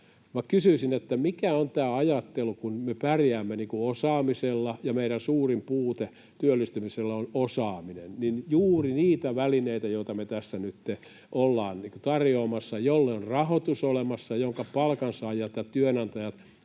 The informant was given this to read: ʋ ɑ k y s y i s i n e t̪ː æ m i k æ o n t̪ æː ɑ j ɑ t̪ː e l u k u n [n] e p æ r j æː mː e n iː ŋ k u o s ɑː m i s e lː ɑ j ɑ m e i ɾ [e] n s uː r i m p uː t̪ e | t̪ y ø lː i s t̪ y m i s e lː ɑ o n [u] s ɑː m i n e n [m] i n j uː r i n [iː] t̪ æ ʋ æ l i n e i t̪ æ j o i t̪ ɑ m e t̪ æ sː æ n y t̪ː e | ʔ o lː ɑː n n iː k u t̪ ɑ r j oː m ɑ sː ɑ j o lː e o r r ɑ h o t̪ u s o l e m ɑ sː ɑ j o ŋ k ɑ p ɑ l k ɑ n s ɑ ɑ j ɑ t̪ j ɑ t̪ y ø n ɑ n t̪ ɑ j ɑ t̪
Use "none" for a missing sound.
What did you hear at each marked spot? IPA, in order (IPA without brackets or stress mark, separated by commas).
m, æ, o, n, iː